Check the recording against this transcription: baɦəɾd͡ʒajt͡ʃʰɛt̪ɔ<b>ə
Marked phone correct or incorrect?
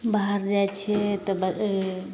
correct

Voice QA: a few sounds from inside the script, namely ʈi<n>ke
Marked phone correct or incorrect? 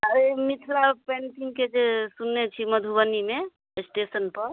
incorrect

